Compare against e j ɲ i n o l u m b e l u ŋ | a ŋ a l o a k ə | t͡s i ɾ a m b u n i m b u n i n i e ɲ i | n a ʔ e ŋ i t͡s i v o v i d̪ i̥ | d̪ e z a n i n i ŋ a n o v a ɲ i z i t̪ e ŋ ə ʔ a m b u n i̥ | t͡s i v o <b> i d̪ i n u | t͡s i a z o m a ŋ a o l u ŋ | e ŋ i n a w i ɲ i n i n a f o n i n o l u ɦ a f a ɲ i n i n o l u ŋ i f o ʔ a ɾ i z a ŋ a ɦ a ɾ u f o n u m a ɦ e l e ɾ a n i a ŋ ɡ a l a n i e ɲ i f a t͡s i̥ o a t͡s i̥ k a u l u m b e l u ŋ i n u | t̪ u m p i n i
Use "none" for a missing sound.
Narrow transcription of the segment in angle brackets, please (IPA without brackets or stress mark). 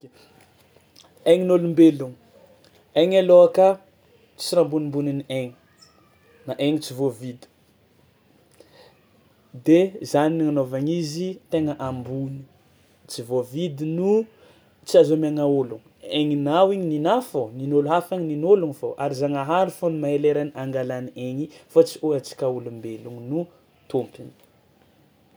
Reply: v